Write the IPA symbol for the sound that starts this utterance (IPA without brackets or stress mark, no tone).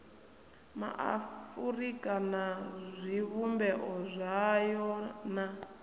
m